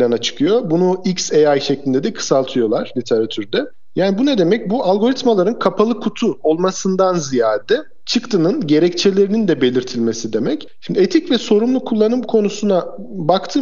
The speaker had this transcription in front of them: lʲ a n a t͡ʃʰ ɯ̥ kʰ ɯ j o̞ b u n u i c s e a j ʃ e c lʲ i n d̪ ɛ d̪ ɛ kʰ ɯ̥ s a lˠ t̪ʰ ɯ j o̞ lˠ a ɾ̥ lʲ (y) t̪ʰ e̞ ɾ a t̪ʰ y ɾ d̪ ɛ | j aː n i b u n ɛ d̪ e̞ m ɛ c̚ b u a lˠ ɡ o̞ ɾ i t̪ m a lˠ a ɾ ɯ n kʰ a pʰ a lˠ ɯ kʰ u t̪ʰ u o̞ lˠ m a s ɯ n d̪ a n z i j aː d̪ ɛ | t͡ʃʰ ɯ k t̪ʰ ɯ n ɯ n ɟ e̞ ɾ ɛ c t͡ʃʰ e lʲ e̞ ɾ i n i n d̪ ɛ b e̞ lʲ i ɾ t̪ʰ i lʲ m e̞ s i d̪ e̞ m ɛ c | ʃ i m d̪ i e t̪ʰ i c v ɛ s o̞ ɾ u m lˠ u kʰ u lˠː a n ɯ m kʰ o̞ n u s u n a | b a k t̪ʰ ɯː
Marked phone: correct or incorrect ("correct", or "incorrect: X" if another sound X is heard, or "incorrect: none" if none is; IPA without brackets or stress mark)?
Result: incorrect: i